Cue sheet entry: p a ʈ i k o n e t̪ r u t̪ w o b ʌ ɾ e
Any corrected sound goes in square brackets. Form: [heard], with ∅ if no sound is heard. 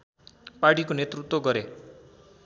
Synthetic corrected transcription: p a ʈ i k o n e t̪ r u t̪ w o [ɡ] ʌ ɾ e